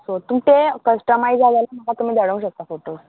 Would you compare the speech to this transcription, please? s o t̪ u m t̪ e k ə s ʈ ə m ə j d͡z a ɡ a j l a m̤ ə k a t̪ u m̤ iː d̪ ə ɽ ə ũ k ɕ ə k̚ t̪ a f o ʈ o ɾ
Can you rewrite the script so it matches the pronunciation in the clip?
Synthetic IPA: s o t̪ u m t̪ e k ə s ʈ ə m a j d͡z a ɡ a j l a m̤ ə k a t̪ u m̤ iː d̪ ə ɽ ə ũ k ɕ ə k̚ t̪ a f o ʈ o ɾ